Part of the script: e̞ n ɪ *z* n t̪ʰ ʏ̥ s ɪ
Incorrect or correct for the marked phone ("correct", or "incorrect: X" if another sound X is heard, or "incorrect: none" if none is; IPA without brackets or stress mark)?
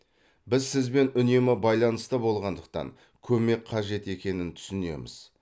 incorrect: none